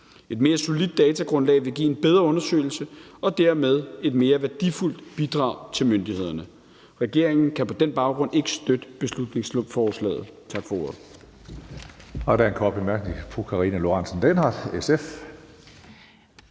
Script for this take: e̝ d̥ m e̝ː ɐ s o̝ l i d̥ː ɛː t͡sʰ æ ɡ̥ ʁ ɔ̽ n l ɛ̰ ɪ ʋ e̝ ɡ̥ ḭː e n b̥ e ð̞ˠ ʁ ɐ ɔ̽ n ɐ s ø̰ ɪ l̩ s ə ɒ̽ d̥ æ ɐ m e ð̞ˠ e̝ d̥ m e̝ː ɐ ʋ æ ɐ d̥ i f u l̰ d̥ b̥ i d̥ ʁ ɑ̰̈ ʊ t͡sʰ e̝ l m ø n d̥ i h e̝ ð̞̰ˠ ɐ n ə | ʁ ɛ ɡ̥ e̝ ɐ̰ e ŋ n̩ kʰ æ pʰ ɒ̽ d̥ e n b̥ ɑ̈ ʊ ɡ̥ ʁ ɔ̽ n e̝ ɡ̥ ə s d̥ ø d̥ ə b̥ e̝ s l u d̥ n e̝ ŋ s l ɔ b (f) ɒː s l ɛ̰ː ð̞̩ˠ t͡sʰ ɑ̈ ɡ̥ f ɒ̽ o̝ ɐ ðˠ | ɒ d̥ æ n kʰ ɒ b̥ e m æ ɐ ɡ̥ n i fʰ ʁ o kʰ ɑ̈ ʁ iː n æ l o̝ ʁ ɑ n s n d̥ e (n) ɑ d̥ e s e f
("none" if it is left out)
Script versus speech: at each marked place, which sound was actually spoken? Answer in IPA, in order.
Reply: f, n

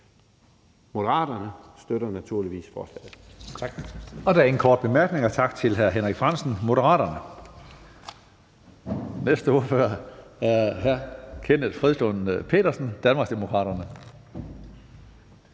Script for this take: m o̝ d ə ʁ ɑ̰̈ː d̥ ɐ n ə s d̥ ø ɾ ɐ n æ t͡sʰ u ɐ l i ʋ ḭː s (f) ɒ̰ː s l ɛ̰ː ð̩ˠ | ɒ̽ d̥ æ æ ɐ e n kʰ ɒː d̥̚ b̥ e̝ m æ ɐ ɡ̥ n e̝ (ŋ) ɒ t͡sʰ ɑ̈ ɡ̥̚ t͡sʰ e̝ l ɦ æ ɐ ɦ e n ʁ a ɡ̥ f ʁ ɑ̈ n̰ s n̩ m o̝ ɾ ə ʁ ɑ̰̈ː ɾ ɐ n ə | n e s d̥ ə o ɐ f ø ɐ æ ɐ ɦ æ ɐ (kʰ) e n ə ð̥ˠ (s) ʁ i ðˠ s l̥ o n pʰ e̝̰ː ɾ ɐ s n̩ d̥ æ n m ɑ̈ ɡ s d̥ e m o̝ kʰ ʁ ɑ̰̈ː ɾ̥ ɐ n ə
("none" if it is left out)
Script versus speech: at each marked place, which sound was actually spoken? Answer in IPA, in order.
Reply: f, ŋ, kʰ, f

